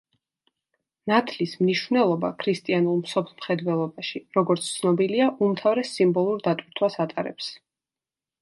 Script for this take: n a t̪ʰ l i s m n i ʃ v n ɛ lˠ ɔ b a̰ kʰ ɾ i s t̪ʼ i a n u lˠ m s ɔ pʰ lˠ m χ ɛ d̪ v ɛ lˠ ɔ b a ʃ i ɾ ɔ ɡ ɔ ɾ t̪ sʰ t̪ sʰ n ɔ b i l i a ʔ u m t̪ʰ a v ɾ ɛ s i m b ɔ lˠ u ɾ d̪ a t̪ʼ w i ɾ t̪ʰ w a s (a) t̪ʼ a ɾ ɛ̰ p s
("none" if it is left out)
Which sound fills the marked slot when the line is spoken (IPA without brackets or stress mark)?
a